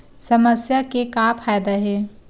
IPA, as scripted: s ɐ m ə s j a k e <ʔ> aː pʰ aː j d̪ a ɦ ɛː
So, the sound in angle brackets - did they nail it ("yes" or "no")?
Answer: no